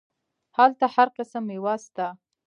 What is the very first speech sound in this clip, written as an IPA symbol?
h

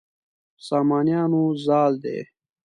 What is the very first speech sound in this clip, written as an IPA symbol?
s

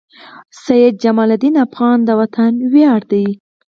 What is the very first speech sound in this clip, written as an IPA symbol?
s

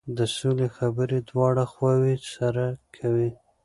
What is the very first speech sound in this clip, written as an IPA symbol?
d̪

